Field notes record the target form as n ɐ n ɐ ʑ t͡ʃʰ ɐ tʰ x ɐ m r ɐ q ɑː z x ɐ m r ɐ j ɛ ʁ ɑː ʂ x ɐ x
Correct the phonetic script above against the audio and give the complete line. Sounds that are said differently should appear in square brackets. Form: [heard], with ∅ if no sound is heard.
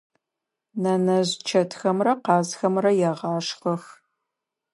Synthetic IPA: n ɐ n ɐ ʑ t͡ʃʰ ɐ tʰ x ɐ m r ɐ q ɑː z x ɐ m r ɐ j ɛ ʁ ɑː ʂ [χ] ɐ x